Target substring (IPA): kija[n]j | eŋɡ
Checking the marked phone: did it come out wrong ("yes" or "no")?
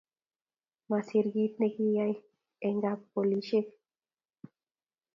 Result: yes